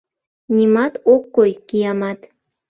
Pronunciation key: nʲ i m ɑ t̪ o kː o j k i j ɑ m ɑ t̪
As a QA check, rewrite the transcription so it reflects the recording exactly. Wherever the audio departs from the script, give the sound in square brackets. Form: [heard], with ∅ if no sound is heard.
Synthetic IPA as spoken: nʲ i m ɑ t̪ o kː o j k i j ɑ m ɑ t̪

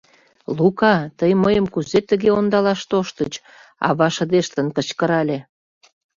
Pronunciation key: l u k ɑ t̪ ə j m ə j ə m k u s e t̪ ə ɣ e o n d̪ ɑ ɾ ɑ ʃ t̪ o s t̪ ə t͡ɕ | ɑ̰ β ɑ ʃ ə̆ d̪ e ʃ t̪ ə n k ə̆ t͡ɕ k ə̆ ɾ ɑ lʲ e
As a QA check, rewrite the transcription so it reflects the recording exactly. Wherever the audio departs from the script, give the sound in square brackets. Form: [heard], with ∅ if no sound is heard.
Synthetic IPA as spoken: l u k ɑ t̪ ə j m ə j ə m k u [z] e t̪ ə ɣ e o n d̪ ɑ [l] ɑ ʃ t̪ o [ʃ] t̪ ə t͡ɕ | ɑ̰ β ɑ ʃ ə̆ d̪ e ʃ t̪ ə n k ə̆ t͡ɕ k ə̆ ɾ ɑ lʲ e

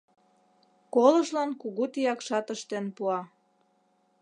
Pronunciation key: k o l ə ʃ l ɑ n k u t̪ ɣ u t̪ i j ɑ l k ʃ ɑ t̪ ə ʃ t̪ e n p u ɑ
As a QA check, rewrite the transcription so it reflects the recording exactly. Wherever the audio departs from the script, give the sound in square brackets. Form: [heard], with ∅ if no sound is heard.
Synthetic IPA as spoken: k o l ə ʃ l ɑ n k u [∅] ɣ u t̪ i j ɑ [∅] k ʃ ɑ t̪ ə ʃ t̪ e n p u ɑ

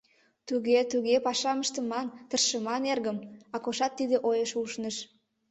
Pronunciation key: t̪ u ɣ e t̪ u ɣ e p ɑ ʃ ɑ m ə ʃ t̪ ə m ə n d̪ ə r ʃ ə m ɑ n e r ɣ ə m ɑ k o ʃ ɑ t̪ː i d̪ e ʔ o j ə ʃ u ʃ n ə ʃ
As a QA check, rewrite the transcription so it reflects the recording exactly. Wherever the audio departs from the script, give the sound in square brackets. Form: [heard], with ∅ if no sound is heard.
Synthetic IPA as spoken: t̪ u ɣ e t̪ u ɣ e p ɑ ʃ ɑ m ə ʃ t̪ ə m [ɑ] n [t̪] ə r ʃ ə m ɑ n e r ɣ ə m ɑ k o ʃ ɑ t̪ː i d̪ e ʔ o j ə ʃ u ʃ n ə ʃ

